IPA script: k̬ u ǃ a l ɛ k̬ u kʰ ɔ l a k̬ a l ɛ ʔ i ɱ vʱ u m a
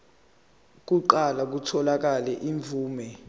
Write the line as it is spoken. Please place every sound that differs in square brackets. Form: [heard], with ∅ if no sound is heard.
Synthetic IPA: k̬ u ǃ a l [a] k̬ u [tʰ] ɔ l a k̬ a l ɛ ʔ i ɱ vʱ [uː] m [ɛ]